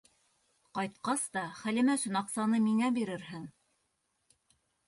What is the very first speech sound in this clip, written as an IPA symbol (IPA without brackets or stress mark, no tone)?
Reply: q